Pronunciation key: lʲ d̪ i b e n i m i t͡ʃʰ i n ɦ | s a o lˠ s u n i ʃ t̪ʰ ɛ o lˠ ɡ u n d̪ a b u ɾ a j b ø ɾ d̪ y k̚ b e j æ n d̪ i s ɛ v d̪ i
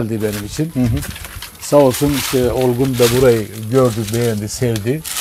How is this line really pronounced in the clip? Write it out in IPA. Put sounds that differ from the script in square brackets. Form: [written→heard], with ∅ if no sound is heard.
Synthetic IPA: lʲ d̪ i b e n i m i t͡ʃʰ i n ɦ | s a o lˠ s u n i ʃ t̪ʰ ɛ o lˠ ɡ u n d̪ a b u ɾ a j [b→ɟ] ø ɾ d̪ y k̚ b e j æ n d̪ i s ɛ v d̪ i